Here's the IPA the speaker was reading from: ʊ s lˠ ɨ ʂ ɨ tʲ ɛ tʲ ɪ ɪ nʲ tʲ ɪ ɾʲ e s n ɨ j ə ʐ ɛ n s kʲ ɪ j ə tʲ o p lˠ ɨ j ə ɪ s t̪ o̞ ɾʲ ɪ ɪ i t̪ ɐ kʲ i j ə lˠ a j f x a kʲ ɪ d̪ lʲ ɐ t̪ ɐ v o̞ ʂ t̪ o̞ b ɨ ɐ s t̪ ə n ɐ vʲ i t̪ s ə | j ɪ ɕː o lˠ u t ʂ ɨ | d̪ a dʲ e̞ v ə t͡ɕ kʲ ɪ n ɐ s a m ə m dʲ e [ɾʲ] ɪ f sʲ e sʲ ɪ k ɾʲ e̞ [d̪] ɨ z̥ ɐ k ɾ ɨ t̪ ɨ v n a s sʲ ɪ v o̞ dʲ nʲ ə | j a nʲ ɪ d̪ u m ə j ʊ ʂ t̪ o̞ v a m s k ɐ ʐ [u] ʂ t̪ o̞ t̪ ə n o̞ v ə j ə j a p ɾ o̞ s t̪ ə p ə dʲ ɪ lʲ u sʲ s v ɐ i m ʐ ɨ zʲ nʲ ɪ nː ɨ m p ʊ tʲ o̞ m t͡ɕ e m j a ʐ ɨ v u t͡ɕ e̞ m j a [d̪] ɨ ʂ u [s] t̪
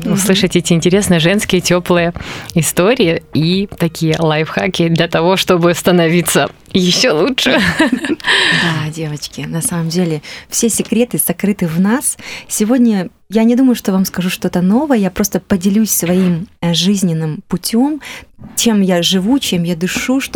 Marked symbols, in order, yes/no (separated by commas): no, no, yes, yes, no